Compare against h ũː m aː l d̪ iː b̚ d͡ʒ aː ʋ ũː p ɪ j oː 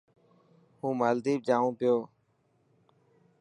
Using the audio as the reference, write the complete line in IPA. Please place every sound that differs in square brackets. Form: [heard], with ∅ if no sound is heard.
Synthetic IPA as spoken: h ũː m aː l d̪ iː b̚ d͡ʒ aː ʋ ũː p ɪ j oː